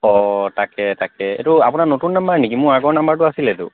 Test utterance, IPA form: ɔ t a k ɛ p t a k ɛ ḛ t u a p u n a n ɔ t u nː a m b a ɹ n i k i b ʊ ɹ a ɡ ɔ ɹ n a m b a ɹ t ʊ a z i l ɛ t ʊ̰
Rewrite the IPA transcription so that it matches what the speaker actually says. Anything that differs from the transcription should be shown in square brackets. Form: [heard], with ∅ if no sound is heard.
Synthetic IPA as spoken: ɔ t a k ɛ [∅] t a k ɛ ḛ t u a p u n a n [o] t u nː a m b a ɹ n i k i [m] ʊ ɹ a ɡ ɔ ɹ n a m b a ɹ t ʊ a [s] i l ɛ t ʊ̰

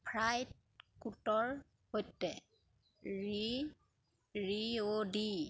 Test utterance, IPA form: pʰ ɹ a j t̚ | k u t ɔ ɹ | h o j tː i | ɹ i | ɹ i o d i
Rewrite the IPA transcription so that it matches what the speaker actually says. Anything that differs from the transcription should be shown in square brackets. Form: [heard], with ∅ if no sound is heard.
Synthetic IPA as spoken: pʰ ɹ a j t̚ | k u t ɔ ɹ | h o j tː [ɛ] | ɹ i | ɹ i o d i

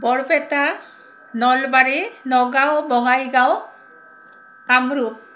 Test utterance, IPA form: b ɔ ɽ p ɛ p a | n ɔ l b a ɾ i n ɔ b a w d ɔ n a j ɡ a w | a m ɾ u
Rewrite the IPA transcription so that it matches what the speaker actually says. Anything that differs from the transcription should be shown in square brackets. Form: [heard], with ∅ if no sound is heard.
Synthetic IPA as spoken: b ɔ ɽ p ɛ [t] a | n ɔ l b a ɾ i n ɔ [ɡ] a w [b] ɔ [ŋ] a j ɡ a w | a m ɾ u

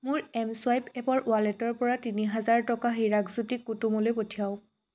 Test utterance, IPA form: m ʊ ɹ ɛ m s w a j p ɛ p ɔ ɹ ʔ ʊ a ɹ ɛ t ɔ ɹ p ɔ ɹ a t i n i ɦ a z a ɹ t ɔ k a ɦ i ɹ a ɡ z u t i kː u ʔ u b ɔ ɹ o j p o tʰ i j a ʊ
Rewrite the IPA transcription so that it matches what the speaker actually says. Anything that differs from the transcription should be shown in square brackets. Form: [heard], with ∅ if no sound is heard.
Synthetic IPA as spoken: m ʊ ɹ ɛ m s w a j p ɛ p ɔ ɹ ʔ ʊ a [l] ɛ t ɔ ɹ p ɔ ɹ a t i n i ɦ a z a ɹ t ɔ k a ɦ i ɹ a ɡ z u t i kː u [t] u [m] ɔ [l] o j p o tʰ i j a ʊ

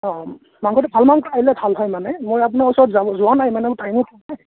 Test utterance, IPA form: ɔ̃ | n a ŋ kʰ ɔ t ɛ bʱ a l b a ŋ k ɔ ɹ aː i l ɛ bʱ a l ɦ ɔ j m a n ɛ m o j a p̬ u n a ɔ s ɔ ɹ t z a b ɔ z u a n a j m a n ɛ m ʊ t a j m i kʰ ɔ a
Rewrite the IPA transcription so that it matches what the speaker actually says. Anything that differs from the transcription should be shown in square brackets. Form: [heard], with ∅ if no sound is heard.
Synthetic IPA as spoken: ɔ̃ | [m] a ŋ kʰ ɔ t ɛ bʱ a l [m] a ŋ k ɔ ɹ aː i l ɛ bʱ a l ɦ ɔ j m a n ɛ m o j a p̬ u n a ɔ s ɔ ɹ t z a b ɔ z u a n a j m a n ɛ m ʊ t a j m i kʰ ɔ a

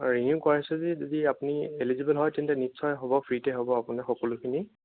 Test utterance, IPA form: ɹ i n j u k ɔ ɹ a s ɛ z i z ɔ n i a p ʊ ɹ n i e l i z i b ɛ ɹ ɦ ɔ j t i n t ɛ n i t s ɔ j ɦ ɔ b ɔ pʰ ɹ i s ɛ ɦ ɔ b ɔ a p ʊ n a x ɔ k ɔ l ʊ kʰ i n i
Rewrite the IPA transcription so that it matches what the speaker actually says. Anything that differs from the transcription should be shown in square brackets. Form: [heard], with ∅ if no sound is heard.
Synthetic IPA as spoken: ɹ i n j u k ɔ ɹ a s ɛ z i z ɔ [d] i a p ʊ [∅] n i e l i z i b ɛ [l] ɦ ɔ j t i n t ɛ n i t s ɔ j ɦ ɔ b ɔ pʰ ɹ i [t] ɛ ɦ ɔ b ɔ a p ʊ n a x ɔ k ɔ l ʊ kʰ i n i

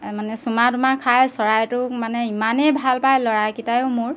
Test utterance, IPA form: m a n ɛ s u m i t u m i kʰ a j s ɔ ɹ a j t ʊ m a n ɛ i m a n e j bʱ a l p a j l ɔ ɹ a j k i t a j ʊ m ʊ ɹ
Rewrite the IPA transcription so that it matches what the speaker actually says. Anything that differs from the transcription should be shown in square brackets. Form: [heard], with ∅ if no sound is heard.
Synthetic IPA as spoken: m a n ɛ s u m [a] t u m [a] kʰ a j s ɔ ɹ a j t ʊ m a n ɛ i m a n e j bʱ a l p a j l ɔ ɹ a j k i t a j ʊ m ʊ ɹ

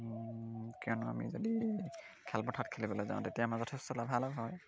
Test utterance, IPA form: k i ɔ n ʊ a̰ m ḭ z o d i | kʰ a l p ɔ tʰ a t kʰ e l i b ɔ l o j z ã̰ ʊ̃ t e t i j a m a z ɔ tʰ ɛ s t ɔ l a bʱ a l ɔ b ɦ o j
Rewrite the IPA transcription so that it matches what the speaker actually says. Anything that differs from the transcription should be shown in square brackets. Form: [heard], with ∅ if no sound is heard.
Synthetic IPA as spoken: k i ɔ n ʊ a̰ m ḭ z o d i | kʰ [ɛ] l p ɔ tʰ a t kʰ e l i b ɔ l o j z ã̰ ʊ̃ t e t i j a m a z ɔ tʰ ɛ s t ɔ l a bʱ a l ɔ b ɦ [ɔ] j

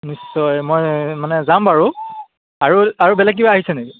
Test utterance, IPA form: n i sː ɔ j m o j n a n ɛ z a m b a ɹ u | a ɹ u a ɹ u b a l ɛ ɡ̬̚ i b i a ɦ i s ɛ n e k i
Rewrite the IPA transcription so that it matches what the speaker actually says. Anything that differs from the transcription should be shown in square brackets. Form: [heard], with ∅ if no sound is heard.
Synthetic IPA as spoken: n i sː ɔ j m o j [m] a n ɛ z a m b a ɹ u | a ɹ u a ɹ u b [ɛ] l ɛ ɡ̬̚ i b [a] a ɦ i s ɛ n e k i

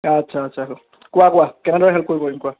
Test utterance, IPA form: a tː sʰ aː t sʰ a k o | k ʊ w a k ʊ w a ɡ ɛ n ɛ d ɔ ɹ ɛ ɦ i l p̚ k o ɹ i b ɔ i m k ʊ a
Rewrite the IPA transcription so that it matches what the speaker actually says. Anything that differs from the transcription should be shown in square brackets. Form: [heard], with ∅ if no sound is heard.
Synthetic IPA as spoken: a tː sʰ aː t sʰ a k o | k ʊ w a k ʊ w a [k] ɛ n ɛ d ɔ ɹ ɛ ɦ [ɛ] l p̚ k o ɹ i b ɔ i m k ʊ a

